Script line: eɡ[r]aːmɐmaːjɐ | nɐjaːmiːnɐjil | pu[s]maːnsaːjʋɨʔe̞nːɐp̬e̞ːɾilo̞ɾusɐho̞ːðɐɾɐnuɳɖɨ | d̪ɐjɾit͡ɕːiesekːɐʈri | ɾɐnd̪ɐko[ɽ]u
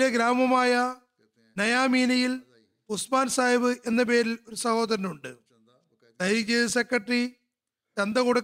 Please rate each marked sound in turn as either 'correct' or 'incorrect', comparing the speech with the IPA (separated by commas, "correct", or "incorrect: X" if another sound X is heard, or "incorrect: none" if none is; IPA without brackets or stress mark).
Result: incorrect: ɾ, correct, correct